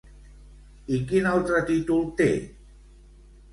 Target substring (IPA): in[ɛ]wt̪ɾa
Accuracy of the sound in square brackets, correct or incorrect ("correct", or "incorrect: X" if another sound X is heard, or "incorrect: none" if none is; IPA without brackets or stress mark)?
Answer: incorrect: a